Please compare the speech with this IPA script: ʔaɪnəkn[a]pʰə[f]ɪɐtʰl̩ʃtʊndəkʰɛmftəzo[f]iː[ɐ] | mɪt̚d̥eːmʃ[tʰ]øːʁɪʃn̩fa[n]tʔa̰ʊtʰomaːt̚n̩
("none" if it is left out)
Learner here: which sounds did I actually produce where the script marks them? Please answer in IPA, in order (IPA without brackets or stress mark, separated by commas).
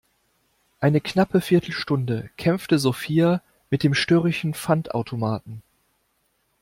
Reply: a, f, f, a, t, n